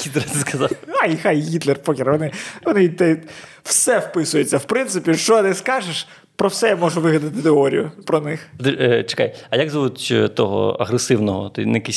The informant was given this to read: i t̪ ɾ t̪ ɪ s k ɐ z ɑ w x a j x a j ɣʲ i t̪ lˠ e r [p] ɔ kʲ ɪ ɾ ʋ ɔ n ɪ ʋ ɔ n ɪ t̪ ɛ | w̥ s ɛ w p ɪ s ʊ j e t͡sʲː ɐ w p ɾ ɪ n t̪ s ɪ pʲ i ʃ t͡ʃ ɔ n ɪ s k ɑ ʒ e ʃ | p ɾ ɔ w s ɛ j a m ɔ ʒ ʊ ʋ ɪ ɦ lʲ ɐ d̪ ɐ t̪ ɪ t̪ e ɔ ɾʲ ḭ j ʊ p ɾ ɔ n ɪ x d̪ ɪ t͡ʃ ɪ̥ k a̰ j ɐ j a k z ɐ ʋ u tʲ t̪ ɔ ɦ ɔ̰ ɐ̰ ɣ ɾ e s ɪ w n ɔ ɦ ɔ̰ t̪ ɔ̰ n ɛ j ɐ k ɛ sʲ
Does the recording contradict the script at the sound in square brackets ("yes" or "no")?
no